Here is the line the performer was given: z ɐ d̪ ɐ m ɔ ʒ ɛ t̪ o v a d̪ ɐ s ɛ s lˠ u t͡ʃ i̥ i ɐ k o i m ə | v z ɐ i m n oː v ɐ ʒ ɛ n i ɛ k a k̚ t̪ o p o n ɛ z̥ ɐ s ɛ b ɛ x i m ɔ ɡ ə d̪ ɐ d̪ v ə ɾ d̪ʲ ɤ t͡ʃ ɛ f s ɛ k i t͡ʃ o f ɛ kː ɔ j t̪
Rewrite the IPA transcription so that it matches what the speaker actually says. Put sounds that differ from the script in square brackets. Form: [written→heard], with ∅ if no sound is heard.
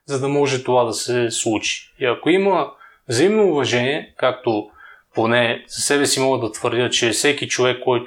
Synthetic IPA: z ɐ d̪ ɐ m ɔ ʒ ɛ t̪ o v a d̪ ɐ s ɛ s lˠ u t͡ʃ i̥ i ɐ k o i m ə | v z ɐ i m n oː v ɐ ʒ ɛ n i ɛ k a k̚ t̪ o p o n ɛ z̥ ɐ s ɛ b ɛ [x→s] i m ɔ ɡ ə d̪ ɐ [d̪→t̪] v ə ɾ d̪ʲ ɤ t͡ʃ ɛ f s ɛ k i t͡ʃ o [f→v] ɛ kː ɔ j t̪